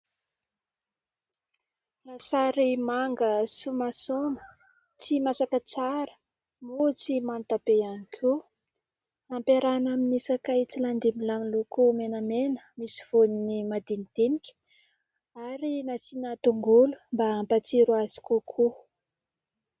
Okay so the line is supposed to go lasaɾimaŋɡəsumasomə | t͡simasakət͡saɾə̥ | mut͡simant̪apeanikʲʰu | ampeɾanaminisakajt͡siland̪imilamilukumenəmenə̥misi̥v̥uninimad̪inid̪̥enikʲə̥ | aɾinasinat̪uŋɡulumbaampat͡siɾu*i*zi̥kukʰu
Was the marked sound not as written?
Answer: yes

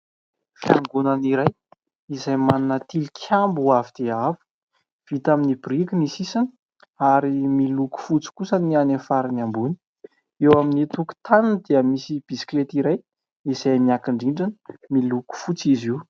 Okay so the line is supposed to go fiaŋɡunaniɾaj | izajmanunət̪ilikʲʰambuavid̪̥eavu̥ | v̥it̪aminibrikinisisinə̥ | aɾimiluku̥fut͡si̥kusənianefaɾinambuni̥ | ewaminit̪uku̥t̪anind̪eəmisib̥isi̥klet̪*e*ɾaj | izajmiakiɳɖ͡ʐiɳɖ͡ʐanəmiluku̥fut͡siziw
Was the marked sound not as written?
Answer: yes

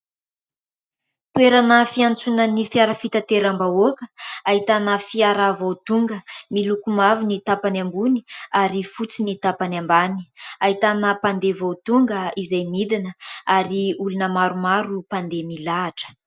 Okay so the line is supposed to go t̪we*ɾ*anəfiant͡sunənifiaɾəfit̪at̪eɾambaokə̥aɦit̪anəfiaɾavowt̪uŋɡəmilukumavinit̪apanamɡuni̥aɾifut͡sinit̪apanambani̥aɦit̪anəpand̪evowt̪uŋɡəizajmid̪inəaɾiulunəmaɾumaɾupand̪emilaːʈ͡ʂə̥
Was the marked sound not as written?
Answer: no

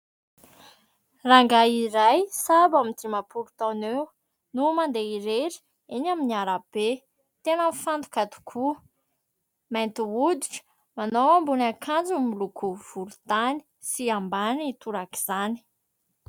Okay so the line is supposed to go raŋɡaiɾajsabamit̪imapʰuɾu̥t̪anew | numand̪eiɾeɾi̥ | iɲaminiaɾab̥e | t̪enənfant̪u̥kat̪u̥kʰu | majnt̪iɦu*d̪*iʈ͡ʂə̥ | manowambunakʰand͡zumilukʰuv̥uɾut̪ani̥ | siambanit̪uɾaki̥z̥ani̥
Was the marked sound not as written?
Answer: no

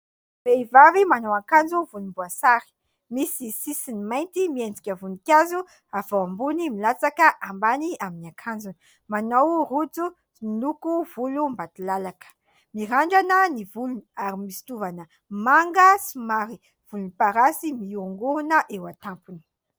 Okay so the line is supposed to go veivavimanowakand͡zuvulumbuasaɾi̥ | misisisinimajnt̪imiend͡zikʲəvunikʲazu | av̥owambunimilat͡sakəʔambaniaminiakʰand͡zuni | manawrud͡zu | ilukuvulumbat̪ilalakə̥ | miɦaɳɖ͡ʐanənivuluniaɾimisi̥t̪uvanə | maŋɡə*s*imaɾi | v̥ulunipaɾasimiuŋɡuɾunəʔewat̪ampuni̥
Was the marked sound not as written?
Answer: no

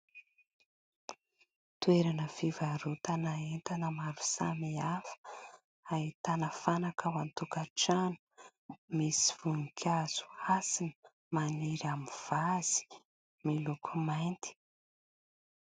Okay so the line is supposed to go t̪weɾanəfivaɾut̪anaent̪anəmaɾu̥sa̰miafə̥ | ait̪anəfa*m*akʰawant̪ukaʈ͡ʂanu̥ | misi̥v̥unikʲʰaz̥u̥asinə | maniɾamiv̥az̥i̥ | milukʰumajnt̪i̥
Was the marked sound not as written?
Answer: yes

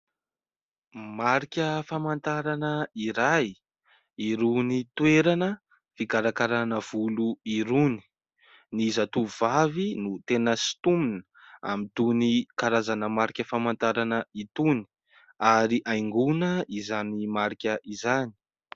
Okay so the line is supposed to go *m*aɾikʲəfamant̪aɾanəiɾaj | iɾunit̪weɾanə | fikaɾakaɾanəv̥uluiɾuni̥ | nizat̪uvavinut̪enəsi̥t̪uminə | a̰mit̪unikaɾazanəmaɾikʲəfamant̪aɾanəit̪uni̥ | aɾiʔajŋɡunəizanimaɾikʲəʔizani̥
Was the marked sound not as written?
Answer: no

